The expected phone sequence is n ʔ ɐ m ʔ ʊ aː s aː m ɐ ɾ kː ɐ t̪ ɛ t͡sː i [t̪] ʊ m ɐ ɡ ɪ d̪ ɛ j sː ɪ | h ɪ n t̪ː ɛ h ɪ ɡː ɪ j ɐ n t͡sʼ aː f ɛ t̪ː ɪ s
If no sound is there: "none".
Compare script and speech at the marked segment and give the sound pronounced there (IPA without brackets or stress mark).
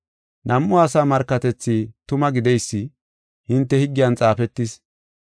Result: t̪